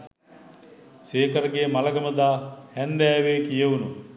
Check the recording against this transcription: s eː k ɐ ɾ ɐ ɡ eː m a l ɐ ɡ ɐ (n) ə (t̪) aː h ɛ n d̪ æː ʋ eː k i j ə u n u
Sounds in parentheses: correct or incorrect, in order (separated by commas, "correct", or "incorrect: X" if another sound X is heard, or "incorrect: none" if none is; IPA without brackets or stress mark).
incorrect: m, incorrect: d̪